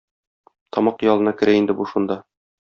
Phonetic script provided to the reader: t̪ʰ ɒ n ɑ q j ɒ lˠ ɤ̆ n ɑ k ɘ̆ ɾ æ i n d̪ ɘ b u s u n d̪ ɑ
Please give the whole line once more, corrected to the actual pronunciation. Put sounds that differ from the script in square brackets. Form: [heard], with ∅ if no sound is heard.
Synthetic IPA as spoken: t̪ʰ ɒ [m] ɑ q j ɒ lˠ ɤ̆ n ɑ k ɘ̆ ɾ æ i n d̪ ɘ b u [ʃ] u n d̪ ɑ